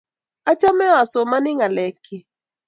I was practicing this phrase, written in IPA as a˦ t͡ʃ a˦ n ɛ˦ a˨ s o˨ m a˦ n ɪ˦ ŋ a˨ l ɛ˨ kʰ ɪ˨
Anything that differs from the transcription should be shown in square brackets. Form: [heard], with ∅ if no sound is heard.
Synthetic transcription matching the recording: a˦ t͡ʃ a˦ [m] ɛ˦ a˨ s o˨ m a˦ n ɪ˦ ŋ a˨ l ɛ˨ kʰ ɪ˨